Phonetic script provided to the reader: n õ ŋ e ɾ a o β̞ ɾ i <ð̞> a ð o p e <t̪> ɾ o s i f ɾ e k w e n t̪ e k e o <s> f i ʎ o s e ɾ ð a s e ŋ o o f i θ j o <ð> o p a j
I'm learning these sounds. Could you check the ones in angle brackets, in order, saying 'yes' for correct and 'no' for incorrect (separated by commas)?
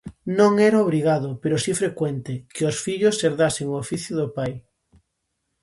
no, no, yes, yes